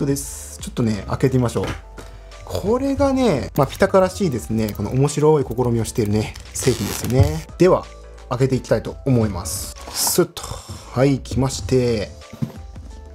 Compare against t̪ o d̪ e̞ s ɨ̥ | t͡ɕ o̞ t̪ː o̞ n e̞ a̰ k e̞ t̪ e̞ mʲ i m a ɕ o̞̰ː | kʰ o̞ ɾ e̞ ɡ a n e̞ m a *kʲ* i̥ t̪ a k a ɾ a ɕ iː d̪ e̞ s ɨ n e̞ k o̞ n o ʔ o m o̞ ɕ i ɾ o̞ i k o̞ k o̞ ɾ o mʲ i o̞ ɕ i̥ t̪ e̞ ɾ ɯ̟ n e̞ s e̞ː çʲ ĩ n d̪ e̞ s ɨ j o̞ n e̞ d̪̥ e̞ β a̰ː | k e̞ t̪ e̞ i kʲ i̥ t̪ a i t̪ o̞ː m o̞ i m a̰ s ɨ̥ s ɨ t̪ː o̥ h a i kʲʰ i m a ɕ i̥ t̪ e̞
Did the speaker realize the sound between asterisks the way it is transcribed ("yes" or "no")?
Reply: no